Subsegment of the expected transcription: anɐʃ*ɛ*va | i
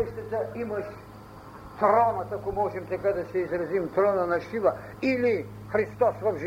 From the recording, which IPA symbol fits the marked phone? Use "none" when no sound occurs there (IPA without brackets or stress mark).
i